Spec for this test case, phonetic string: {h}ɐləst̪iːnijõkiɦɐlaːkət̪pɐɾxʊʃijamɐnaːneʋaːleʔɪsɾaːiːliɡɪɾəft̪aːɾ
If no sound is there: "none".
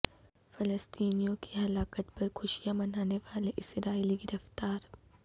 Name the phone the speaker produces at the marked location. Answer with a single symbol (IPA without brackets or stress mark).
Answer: f